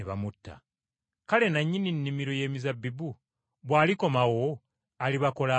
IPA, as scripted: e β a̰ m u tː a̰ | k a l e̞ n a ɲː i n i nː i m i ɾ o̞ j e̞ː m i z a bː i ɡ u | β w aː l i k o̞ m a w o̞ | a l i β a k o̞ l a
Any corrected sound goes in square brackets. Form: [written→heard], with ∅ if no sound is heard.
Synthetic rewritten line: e β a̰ m u tː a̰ | k a l e̞ n a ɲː i n i nː i m i ɾ o̞ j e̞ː m i z a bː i [ɡ→b] u | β w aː l i k o̞ m a w o̞ | a l i β a k o̞ l a